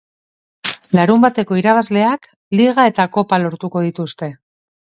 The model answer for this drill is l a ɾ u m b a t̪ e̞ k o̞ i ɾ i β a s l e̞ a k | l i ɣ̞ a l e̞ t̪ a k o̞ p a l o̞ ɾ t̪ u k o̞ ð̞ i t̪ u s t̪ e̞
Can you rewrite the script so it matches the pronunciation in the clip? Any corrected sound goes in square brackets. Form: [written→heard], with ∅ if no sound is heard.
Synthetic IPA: l a ɾ u m b a t̪ e̞ k o̞ i ɾ [i→a] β a [s→z] l e̞ a k | l i ɣ̞ a [l→∅] e̞ t̪ a k o̞ p a l o̞ ɾ t̪ u k o̞ ð̞ i t̪ u s t̪ e̞